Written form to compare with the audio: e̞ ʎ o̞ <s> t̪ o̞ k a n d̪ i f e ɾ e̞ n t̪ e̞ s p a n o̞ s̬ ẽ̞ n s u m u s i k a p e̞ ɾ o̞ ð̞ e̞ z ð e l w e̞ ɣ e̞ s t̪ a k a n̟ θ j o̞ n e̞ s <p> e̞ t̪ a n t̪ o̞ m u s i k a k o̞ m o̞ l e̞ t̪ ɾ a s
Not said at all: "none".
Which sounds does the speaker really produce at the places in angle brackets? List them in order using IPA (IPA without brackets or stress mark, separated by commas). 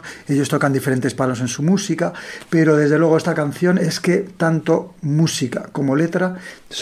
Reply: s, k